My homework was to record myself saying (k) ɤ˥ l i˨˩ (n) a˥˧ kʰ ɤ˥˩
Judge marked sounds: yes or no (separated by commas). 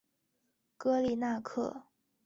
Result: yes, yes